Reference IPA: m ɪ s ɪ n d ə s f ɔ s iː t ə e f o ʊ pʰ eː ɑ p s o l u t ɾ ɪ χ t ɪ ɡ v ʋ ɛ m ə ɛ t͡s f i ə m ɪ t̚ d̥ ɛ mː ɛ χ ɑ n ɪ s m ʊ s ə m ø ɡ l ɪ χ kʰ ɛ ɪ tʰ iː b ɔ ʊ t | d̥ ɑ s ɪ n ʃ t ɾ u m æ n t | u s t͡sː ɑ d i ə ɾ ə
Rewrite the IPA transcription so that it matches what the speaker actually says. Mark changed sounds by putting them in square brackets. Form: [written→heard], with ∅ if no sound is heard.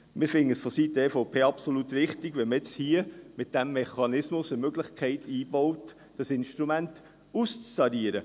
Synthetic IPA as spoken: m ɪ [s→f] ɪ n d ə s f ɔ s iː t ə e f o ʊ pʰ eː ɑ p s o l u t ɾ ɪ χ t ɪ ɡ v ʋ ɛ m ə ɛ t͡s [f→h] i ə m ɪ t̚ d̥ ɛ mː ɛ χ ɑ n ɪ s m ʊ s ə m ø ɡ l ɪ χ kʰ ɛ ɪ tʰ iː b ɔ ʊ t | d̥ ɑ s ɪ n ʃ t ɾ u m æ n t | u s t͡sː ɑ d i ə ɾ ə

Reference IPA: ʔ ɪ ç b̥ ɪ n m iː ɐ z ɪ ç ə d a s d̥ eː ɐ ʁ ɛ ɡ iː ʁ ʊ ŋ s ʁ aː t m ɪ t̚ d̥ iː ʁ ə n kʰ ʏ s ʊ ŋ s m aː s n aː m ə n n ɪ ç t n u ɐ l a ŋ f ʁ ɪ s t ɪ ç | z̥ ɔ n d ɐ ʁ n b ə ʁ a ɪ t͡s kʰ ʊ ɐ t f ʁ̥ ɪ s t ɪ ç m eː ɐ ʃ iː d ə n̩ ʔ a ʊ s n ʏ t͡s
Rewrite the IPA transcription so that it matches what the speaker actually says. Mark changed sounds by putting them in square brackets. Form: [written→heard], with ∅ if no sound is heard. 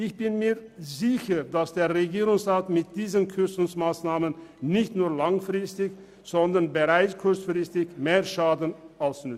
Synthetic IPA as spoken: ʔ ɪ ç b̥ ɪ n m iː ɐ z ɪ ç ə d a s d̥ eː ɐ ʁ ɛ ɡ iː ʁ ʊ ŋ s ʁ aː t m ɪ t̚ d̥ iː [ʁ→z] ə n kʰ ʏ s ʊ ŋ s m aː s n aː m ə n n ɪ ç t n [u→uː] ɐ l a ŋ f ʁ ɪ s t ɪ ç | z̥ ɔ n d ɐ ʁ n b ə ʁ a ɪ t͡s kʰ ʊ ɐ [t→t͡s] f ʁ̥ ɪ s t ɪ ç m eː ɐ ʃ [iː→aː] d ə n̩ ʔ a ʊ s n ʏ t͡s

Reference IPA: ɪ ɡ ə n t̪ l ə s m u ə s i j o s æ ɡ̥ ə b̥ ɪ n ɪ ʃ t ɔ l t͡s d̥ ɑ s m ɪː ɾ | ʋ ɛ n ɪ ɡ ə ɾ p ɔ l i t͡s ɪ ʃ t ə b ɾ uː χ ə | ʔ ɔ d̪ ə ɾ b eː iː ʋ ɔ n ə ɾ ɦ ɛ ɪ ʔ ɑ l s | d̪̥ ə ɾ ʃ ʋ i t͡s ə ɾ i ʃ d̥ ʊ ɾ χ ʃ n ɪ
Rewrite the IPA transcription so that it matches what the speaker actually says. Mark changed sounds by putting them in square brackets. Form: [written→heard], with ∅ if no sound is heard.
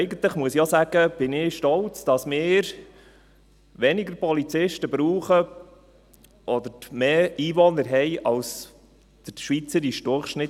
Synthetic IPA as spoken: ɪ ɡ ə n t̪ l ə [s→χ] m u ə s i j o s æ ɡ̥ ə b̥ ɪ n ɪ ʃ t ɔ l t͡s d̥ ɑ s m ɪː ɾ | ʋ ɛ n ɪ ɡ ə ɾ p ɔ l i t͡s ɪ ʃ t ə b ɾ uː χ ə | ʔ ɔ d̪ ə ɾ [b→m] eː iː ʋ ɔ n ə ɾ ɦ ɛ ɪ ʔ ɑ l s | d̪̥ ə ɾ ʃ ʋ i t͡s ə ɾ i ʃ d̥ ʊ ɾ χ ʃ n ɪ

